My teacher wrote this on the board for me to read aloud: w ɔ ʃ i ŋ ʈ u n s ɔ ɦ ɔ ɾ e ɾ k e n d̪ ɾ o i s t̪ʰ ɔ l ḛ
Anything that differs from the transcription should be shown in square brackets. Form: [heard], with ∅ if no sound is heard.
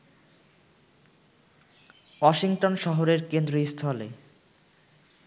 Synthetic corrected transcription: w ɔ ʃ i ŋ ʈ [o] n [ʃ] ɔ ɦ [o] ɾ e ɾ k e n d̪ ɾ o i s t̪ʰ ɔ l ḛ